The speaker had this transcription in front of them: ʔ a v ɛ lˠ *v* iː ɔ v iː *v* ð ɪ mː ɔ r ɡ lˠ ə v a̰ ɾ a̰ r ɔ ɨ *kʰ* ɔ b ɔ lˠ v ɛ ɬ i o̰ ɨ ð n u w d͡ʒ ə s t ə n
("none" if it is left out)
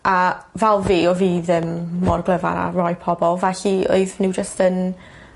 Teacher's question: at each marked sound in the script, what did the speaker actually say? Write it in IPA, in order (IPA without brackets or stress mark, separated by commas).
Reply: v, none, pʰ